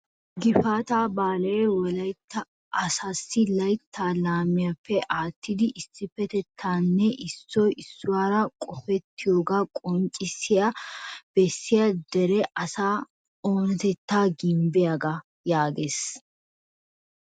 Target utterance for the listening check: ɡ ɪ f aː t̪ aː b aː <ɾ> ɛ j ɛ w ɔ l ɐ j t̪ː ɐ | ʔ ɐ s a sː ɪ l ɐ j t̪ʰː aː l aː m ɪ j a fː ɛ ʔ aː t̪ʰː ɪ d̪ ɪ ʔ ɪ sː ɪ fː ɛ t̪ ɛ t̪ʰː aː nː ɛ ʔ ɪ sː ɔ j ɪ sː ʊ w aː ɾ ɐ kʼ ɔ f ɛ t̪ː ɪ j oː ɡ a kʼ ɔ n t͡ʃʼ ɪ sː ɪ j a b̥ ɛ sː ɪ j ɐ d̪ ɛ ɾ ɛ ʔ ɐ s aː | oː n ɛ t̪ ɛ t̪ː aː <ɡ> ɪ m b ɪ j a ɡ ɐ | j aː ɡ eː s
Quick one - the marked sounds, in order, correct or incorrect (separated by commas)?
incorrect, correct